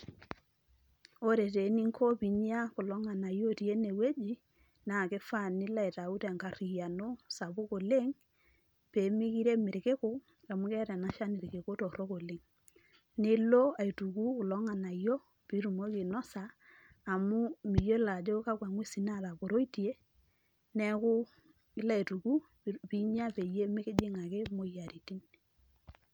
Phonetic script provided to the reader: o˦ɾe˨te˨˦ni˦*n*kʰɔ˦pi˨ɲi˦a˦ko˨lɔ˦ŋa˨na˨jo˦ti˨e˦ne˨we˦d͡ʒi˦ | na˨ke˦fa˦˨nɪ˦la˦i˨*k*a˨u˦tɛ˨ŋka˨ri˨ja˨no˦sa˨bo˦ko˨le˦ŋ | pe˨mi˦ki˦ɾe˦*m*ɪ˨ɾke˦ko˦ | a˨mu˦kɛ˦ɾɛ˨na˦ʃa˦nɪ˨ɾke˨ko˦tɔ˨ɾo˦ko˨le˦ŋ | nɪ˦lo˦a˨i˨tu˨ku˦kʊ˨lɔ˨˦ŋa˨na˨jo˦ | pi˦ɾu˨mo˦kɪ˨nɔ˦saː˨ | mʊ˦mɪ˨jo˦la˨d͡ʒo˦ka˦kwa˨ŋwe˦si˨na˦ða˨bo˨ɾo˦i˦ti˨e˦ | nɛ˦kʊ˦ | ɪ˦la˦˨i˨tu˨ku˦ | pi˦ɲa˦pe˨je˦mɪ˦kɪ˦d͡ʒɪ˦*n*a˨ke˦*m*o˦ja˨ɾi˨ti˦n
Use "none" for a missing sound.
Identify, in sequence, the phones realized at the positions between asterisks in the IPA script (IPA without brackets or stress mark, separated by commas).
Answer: ŋ, t, m, ŋ, m